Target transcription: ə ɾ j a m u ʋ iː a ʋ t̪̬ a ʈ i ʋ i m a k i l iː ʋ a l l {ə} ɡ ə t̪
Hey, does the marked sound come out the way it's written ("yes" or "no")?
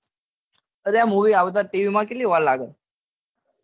no